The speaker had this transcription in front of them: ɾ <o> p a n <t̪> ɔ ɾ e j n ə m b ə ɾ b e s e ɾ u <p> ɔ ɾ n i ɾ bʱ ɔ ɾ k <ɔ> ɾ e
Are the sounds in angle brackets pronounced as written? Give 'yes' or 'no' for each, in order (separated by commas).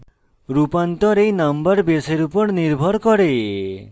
no, yes, yes, yes